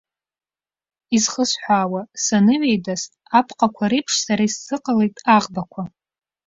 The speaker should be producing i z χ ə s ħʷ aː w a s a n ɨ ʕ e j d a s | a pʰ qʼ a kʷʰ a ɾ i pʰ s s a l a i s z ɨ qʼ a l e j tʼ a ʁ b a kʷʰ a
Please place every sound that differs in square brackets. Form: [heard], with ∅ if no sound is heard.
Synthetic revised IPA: i z χ ə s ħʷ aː w a s a n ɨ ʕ e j d a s | a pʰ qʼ a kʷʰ a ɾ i pʰ [ʂ] s a [ɾ] a i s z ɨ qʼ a l e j tʼ a ʁ b a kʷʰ a